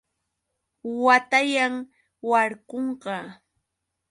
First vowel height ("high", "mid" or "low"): low